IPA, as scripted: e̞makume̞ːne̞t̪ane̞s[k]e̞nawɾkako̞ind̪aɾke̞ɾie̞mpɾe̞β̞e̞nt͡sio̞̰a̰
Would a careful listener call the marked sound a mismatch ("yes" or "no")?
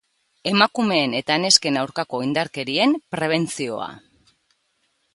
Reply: no